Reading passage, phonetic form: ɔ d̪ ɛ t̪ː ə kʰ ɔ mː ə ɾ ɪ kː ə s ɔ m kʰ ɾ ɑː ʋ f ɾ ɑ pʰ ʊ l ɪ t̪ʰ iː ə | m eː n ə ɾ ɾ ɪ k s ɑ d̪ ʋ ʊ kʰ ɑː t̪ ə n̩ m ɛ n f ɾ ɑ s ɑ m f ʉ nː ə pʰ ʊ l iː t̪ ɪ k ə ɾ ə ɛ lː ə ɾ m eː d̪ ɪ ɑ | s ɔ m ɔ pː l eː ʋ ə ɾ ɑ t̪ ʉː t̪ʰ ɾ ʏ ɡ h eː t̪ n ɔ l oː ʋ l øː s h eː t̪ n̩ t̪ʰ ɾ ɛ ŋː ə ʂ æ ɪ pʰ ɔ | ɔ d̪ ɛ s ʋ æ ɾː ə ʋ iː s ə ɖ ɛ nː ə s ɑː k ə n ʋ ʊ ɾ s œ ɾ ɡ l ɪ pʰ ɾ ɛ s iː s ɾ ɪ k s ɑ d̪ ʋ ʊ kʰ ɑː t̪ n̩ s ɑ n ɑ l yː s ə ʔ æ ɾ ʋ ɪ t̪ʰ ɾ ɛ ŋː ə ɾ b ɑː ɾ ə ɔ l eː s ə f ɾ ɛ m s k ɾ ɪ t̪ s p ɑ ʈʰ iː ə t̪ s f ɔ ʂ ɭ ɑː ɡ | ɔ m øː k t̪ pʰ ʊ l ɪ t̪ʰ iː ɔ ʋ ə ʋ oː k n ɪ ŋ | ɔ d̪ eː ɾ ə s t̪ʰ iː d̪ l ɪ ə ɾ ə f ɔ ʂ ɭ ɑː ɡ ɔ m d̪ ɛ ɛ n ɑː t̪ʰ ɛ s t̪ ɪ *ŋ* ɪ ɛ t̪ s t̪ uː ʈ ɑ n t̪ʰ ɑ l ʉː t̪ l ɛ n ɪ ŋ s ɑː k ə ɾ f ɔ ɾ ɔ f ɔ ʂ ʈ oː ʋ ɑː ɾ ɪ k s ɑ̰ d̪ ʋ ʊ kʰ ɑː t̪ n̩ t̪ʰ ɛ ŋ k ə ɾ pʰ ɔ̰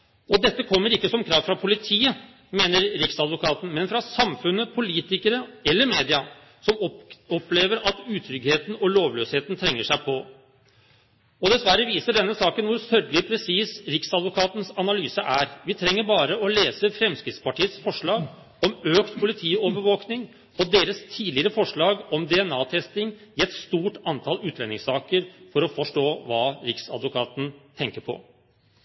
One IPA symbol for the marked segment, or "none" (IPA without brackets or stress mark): ŋ